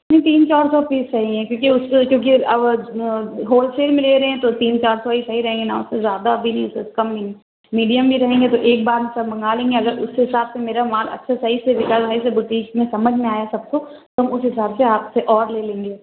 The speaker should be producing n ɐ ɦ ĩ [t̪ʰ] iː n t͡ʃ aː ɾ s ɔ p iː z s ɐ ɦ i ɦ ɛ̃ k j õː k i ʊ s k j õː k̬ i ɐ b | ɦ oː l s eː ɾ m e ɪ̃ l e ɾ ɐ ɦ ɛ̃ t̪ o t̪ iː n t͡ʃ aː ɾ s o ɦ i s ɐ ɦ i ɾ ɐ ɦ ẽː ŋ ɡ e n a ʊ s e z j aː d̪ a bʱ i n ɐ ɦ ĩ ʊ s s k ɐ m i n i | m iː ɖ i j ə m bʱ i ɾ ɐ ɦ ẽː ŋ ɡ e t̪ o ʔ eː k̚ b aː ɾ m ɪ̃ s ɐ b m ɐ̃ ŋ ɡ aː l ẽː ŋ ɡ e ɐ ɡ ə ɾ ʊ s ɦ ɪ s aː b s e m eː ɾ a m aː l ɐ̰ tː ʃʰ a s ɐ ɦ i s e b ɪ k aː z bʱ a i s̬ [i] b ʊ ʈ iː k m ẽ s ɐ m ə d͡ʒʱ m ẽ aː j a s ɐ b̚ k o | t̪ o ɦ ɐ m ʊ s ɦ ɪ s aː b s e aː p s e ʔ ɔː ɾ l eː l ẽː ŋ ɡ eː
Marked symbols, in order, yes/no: no, no

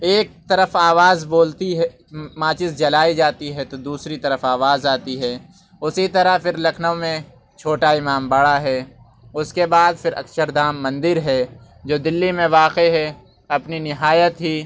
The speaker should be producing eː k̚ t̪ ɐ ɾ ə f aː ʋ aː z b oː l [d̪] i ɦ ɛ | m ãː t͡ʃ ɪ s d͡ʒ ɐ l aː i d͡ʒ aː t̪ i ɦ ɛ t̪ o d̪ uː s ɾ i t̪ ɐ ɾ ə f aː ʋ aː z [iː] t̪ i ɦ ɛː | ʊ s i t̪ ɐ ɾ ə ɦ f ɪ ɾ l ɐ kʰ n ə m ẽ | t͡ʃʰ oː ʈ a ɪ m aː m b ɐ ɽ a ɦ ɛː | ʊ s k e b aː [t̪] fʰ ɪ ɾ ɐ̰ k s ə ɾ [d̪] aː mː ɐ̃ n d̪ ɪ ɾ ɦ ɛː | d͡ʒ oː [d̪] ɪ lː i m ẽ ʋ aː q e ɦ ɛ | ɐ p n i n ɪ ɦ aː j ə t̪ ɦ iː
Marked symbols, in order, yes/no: no, no, no, yes, yes

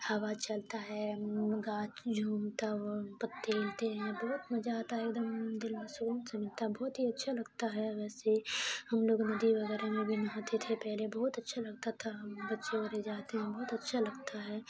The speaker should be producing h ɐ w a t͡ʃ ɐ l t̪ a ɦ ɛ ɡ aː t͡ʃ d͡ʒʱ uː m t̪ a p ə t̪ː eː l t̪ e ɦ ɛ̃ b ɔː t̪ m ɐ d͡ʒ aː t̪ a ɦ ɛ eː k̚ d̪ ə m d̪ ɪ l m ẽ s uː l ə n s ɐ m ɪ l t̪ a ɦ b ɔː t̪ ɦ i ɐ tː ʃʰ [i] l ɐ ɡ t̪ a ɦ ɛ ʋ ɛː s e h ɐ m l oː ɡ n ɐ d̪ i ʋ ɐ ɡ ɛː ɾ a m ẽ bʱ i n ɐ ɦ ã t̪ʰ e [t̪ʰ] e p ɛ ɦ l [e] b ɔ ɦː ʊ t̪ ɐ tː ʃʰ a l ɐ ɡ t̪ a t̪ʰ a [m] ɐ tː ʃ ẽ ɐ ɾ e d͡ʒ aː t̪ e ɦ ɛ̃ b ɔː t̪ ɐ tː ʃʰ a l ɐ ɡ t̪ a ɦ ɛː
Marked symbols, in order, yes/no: no, yes, yes, no

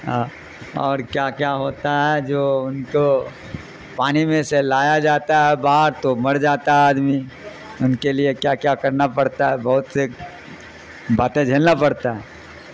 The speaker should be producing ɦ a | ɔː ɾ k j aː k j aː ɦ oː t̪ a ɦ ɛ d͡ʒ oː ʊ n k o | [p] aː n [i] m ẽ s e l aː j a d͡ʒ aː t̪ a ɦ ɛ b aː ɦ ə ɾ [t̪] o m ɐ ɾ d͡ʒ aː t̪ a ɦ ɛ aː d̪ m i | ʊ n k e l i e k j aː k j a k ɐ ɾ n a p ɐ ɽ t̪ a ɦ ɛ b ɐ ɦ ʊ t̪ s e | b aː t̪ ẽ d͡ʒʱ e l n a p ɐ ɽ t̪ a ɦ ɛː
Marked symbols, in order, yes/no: yes, yes, yes

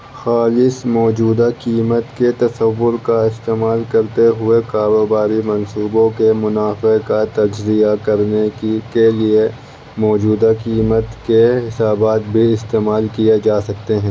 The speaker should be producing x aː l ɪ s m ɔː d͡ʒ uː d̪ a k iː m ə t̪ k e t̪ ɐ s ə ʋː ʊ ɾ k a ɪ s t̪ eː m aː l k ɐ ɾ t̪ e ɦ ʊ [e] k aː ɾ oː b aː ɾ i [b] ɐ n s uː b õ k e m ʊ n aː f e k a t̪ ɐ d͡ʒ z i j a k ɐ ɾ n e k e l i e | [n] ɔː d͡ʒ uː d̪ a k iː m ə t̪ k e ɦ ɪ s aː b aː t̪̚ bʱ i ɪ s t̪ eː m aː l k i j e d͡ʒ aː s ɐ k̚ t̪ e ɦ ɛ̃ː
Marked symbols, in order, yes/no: yes, no, no

